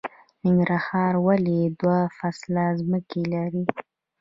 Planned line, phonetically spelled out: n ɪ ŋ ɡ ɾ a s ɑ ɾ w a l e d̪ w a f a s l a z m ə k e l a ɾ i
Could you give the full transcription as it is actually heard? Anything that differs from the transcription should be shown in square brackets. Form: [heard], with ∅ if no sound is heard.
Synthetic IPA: n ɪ ŋ ɡ ɾ a [h] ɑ ɾ w a l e d̪ w a f a s l a z m ə k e l a ɾ i